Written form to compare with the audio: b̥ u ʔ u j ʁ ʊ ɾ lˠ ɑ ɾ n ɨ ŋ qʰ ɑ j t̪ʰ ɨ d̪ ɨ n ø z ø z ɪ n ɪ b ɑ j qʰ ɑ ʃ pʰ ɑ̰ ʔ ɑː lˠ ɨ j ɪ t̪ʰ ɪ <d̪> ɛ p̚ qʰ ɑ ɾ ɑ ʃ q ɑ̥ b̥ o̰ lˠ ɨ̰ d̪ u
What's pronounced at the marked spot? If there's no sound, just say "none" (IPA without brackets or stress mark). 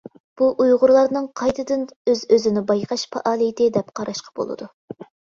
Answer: d̪